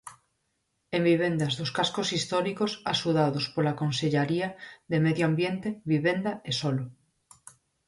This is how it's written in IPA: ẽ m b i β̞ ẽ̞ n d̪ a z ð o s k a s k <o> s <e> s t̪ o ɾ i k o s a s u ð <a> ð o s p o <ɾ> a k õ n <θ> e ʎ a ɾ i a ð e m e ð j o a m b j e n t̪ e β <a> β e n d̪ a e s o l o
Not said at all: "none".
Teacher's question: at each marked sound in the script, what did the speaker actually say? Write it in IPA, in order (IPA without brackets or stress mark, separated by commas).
o, i, a, l, s, i